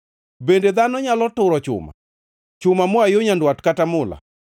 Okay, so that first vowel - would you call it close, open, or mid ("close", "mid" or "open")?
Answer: mid